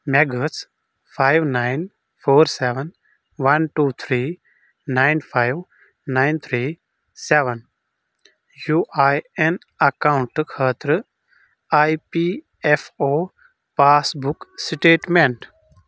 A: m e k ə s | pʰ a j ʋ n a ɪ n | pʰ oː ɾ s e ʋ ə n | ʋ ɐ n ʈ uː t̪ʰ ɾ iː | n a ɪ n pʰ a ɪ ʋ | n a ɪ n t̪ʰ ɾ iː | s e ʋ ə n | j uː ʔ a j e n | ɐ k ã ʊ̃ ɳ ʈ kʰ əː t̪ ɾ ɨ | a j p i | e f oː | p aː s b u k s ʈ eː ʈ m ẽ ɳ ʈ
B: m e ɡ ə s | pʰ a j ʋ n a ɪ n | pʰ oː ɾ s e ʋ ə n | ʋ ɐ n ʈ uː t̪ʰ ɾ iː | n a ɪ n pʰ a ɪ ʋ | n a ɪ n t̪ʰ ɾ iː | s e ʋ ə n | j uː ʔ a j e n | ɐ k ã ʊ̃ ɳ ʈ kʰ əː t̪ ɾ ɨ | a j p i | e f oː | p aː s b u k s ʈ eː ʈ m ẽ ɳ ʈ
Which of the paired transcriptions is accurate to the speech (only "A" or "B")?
B